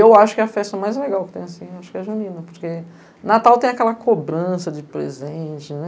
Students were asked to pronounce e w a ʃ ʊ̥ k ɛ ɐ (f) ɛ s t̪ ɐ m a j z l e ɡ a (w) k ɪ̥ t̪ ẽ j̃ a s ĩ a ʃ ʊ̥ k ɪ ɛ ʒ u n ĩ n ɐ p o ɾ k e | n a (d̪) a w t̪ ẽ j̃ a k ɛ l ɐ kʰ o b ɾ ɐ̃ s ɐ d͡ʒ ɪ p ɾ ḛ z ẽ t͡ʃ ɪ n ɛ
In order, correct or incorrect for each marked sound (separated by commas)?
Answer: correct, correct, incorrect